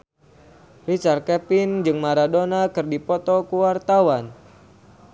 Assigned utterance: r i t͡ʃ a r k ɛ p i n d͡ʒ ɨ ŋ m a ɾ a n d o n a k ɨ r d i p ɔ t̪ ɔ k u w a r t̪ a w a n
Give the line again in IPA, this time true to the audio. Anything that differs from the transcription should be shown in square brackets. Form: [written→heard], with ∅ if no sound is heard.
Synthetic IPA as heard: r i t͡ʃ a r k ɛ p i n d͡ʒ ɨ ŋ m a ɾ a [n→∅] d o n a k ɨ r d i p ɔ t̪ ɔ k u w a r t̪ a w a n